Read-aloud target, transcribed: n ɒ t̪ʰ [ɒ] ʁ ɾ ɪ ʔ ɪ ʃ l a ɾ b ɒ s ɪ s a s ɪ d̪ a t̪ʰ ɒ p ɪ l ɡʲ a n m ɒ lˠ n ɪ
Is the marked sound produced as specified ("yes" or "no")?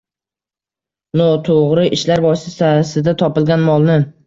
no